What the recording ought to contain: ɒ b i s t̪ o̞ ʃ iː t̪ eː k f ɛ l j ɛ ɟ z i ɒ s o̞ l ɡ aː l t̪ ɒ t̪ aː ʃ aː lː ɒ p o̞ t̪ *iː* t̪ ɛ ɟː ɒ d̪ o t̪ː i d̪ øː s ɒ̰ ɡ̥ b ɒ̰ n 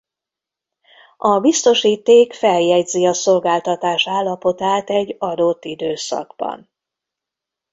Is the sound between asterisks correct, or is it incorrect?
incorrect